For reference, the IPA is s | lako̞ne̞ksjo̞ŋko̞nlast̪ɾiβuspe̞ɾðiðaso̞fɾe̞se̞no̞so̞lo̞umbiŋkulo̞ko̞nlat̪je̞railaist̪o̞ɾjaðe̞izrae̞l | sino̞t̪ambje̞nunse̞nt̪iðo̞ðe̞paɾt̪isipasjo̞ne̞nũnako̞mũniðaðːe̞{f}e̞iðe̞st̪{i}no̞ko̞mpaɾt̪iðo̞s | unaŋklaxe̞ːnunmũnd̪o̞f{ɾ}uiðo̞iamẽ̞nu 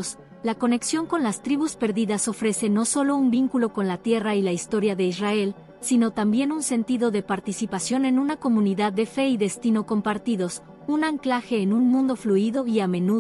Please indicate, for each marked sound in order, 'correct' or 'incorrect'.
correct, correct, incorrect: l

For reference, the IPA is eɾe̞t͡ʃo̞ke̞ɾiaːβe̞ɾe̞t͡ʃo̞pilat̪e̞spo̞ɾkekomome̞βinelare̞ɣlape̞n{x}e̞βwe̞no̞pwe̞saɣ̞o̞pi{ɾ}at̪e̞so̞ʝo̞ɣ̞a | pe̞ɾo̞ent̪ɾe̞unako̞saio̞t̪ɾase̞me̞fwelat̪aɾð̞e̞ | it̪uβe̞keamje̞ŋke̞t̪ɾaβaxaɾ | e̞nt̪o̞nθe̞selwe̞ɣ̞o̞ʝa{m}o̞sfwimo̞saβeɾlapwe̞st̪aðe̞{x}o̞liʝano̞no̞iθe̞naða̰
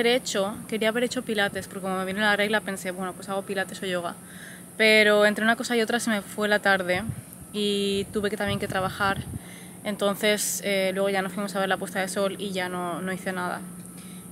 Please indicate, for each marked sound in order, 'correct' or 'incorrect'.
incorrect: s, incorrect: l, incorrect: n, incorrect: s

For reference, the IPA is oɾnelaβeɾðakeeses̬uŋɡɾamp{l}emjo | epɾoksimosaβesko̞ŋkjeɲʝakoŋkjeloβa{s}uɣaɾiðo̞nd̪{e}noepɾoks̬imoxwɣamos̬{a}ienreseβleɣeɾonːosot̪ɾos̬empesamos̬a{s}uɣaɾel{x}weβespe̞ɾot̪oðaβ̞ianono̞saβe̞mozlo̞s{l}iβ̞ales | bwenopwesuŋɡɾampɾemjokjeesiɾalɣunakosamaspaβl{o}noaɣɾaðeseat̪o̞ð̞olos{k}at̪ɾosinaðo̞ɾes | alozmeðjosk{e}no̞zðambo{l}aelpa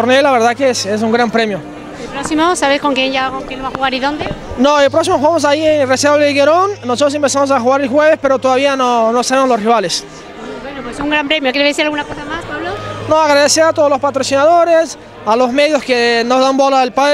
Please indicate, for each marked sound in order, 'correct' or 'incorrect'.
incorrect: ɾ, incorrect: x, correct, correct, incorrect: x, correct, incorrect: r, correct, incorrect: p, correct, correct

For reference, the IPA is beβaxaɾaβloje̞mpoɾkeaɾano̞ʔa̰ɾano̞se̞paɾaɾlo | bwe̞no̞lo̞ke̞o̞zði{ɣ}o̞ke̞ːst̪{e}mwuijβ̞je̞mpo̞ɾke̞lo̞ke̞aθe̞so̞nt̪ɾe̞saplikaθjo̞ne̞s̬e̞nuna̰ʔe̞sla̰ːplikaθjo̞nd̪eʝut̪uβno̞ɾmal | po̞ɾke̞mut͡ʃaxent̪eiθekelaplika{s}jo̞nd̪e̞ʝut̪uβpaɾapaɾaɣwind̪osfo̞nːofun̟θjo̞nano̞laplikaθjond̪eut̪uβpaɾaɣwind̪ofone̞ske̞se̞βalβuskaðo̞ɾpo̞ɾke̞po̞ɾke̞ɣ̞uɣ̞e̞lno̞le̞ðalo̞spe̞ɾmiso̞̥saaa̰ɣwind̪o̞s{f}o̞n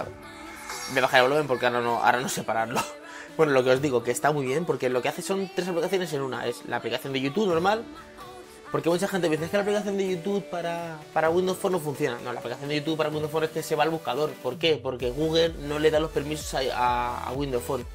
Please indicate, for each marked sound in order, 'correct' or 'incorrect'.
correct, incorrect: a, incorrect: θ, correct

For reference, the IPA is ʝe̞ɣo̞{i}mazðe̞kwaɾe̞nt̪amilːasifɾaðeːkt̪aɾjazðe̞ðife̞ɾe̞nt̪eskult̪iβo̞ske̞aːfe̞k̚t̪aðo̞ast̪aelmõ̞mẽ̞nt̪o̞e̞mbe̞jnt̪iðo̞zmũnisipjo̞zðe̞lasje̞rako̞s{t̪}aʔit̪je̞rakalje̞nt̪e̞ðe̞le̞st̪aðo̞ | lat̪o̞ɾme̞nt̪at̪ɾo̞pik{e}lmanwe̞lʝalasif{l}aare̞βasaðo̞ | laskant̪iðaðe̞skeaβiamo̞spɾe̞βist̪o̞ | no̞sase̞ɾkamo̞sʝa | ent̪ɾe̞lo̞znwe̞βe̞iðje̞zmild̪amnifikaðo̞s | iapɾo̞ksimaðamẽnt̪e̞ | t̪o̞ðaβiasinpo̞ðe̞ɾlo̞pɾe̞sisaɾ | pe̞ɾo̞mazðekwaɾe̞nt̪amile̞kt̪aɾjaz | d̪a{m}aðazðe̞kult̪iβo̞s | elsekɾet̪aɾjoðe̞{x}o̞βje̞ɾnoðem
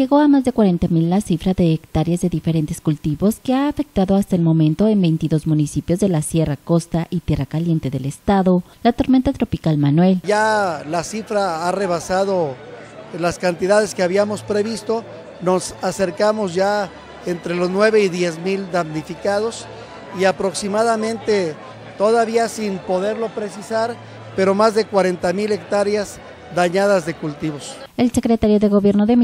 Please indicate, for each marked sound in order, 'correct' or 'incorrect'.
incorrect: a, correct, incorrect: a, incorrect: ɾ, incorrect: ɲ, incorrect: ɣ

